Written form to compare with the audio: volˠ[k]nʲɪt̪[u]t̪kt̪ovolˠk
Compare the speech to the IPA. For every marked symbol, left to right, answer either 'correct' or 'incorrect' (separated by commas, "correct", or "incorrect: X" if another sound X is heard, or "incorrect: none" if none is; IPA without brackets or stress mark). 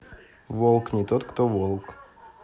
correct, incorrect: o